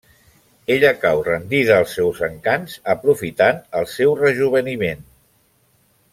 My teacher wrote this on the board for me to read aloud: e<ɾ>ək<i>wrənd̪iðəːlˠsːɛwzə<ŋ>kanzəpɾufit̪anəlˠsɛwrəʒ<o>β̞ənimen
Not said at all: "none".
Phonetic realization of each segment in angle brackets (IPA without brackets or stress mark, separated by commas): ʎ, a, ŋ, u